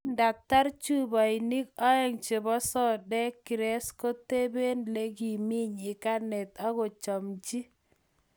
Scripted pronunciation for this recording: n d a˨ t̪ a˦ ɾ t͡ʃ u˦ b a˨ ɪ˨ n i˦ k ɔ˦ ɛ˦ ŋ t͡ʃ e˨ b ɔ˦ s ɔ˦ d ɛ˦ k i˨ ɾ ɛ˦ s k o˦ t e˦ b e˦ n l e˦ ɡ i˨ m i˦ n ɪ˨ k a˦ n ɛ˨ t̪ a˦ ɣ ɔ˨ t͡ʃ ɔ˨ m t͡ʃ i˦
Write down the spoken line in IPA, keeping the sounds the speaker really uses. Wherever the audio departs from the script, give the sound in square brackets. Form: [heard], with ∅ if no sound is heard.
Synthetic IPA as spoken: n d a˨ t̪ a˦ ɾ t͡ʃ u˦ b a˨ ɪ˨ n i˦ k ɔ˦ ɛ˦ ŋ t͡ʃ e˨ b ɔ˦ s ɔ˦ d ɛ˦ k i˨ ɾ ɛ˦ s k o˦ t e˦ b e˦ n l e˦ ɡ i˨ m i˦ [ɲ] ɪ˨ k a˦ n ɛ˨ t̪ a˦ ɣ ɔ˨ t͡ʃ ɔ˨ m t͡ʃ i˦